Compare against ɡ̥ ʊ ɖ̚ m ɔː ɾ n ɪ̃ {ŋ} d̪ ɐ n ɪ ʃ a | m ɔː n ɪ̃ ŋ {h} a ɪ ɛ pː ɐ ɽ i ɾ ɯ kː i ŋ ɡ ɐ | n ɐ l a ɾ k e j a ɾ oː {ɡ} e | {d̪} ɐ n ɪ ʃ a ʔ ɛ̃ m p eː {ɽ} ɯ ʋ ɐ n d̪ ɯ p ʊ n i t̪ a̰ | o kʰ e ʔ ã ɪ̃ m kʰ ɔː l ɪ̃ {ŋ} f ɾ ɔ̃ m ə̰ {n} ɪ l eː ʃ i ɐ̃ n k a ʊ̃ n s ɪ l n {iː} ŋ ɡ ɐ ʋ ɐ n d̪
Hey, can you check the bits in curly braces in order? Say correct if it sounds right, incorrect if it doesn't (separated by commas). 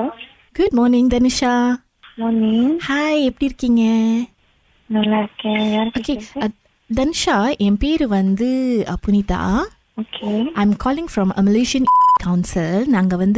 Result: correct, correct, incorrect, correct, incorrect, correct, incorrect, incorrect